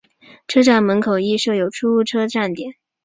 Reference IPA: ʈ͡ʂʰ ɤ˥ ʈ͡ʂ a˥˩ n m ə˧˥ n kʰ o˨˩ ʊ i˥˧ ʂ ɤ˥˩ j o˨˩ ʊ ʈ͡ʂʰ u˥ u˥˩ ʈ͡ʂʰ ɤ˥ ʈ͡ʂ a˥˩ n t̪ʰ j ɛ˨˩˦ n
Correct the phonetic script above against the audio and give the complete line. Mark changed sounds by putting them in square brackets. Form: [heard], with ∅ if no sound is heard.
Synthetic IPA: ʈ͡ʂʰ ɤ˥ ʈ͡ʂ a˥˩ n m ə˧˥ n kʰ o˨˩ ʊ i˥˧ ʂ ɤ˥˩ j o˨˩ ʊ ʈ͡ʂʰ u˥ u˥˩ ʈ͡ʂʰ ɤ˥ ʈ͡ʂ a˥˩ n [t̪] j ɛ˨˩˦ n